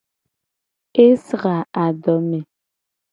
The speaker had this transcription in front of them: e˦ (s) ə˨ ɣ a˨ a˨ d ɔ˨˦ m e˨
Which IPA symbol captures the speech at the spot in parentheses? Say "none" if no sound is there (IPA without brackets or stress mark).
s